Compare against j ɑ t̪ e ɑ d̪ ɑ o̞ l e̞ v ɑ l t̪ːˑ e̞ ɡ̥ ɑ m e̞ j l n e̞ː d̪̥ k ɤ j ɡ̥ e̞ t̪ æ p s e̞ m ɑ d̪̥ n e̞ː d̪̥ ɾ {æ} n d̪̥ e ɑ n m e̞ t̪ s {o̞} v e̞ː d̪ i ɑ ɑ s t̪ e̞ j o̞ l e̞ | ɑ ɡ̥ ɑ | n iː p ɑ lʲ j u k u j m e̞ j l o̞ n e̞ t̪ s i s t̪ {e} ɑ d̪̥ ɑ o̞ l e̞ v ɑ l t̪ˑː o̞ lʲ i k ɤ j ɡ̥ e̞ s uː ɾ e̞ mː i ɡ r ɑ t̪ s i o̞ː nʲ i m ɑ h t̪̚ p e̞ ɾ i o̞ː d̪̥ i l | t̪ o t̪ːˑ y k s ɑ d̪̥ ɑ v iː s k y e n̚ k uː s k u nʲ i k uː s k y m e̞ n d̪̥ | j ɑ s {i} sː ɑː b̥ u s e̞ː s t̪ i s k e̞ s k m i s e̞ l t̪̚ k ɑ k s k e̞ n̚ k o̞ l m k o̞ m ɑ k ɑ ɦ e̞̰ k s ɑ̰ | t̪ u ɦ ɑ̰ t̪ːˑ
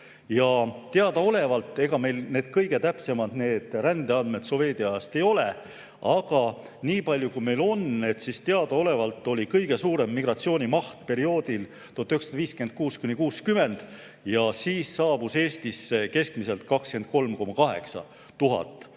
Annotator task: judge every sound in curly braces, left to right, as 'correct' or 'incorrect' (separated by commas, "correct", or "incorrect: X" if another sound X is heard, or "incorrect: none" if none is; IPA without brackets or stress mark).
correct, correct, correct, incorrect: iː